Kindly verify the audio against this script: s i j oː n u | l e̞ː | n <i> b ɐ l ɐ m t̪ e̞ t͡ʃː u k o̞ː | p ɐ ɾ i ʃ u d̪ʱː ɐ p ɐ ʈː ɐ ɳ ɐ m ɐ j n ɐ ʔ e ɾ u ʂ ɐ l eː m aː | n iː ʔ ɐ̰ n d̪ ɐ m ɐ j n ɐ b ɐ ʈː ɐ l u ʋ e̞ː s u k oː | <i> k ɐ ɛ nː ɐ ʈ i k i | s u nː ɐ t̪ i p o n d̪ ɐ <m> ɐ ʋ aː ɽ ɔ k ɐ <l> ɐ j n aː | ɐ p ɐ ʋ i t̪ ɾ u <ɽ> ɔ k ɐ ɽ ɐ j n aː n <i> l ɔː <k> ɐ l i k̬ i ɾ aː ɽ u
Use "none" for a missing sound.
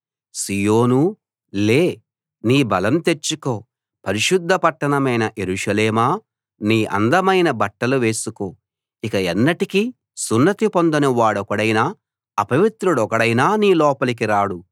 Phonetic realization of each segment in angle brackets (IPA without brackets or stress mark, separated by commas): iː, i, n, ɽ, ɽ, iː, p